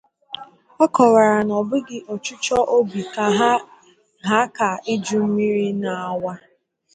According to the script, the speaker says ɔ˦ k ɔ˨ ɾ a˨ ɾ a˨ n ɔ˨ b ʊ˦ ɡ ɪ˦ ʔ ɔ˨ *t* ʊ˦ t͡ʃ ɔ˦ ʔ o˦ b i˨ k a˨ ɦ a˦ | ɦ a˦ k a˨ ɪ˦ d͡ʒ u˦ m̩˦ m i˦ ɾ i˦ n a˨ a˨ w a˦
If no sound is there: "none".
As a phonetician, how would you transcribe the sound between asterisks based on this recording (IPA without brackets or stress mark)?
t͡ʃ